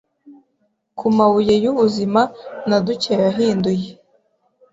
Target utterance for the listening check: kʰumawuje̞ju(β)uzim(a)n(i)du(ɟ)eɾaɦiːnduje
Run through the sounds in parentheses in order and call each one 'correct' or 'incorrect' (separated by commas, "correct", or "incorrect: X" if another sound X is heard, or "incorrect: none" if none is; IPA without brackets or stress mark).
correct, correct, incorrect: a, incorrect: c